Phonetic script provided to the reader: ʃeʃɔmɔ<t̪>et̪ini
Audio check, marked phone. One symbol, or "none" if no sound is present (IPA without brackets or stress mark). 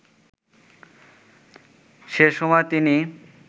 none